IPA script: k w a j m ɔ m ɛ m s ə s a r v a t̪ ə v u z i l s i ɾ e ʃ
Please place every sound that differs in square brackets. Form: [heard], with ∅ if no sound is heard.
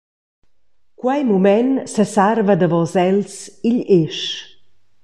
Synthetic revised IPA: k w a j m [u] m ɛ [n] s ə s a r v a [d̪] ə v [ɔ] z [ɛ] l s i [ʎ] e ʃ

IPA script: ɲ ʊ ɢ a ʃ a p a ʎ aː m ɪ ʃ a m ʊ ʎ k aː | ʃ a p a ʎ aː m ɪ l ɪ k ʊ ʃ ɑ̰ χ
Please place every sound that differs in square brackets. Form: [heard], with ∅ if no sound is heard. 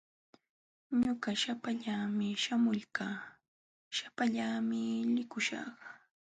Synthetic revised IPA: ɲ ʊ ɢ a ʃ a p a ʎ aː m ɪ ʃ a m ʊ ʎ k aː | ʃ a p a ʎ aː m ɪ l ɪ k ʊ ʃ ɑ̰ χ

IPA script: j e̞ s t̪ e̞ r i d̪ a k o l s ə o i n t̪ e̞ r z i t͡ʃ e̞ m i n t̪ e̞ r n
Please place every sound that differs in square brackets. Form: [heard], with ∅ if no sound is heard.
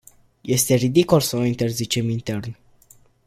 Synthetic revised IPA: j e̞ s t̪ e̞ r i d̪ [i] k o l s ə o i n t̪ e̞ r z i t͡ʃ e̞ m i n t̪ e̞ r n

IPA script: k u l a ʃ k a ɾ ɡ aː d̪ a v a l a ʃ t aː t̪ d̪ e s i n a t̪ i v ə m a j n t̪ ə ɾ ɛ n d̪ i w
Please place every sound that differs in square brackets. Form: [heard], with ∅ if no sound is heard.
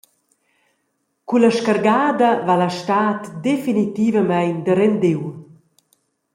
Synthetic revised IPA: k u l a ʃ k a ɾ ɡ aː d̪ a v a l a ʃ t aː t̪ d̪ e [f] i n [i] t̪ i v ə m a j n [d̪] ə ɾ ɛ n d̪ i w

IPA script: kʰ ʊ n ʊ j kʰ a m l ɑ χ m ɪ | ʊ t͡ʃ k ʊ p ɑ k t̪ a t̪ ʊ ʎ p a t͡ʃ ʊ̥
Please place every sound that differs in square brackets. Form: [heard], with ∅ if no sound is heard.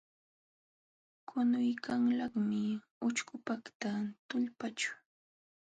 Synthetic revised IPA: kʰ ʊ n ʊ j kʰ a [ŋ] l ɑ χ m ɪ | ʊ t͡ʃ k ʊ p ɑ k t̪ a t̪ ʊ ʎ p a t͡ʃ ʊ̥

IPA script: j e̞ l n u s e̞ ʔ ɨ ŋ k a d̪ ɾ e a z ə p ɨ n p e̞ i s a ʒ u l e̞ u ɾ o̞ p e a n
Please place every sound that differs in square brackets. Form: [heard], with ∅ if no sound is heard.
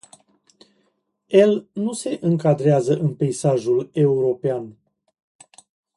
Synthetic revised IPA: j e̞ l n u s e̞ ʔ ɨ ŋ k a d̪ ɾ e a z ə [ʔ] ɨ n p e̞ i s a ʒ u l e̞ u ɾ o̞ p e a n

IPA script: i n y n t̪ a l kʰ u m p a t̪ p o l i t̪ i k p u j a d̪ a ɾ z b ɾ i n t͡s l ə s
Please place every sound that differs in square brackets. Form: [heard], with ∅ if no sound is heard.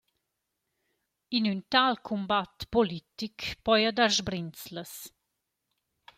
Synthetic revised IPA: i n y n t̪ a l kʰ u m [b] a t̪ p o l i t̪ i k p [ɔ] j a d̪ a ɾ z b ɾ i n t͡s l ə s

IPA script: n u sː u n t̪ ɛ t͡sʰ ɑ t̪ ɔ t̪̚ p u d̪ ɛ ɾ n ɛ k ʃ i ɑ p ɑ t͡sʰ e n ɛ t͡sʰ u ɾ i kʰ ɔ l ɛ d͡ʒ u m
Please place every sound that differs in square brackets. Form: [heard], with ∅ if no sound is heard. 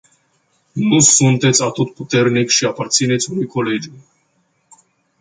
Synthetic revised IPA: n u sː u n t̪ ɛ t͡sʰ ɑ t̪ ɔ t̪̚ p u [t̪] ɛ ɾ n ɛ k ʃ i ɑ p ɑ t͡sʰ [i] n ɛ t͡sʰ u ɾ i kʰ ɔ l ɛ d͡ʒ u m

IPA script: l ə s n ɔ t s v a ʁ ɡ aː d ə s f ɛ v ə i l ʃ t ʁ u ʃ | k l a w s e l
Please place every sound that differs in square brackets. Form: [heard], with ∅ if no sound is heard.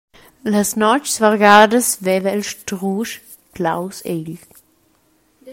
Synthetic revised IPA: l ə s n ɔ [t͡ʃ] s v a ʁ ɡ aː d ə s [v] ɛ v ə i l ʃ t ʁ u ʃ | k l a w s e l

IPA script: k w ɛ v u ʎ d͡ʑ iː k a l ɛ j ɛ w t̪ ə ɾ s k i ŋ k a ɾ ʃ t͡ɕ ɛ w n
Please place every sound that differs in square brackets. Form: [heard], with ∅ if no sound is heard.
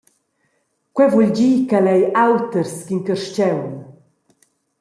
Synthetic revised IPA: k w ɛ v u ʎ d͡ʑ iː k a l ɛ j [a] w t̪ ə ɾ s k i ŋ k [ə] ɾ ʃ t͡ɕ ɛ w n

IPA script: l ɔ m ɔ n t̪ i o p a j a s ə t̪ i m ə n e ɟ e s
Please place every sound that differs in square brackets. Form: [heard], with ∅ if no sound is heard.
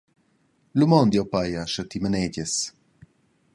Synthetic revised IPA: l [u] m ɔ n [d̪] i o p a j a [ʃ] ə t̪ i m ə n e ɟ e s

